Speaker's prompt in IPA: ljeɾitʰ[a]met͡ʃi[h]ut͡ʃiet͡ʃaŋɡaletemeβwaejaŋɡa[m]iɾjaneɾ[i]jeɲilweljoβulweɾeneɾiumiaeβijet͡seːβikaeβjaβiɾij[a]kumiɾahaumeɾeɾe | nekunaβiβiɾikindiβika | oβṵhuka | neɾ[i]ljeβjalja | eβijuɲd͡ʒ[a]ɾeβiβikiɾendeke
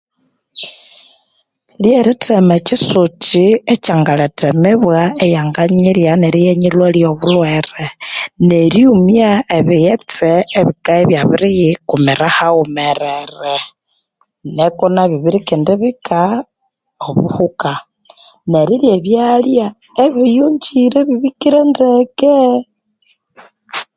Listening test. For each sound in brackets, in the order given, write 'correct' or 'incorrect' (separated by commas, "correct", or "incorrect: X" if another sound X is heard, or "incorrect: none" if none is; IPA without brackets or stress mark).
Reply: incorrect: e, incorrect: s, incorrect: ɲ, correct, incorrect: i, correct, incorrect: i